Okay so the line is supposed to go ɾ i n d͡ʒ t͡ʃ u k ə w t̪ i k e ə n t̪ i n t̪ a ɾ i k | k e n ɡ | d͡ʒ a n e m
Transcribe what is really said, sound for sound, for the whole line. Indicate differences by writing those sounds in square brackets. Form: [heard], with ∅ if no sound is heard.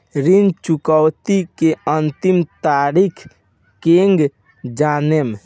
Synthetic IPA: ɾ i n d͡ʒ t͡ʃ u k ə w t̪ i k e ə n t̪ i [m] t̪ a ɾ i [kʰ] | k e [ŋ] ɡ | d͡ʒ a n e m